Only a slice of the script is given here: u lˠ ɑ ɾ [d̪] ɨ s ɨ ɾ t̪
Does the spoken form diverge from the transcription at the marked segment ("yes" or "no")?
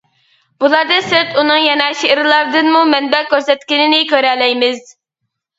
no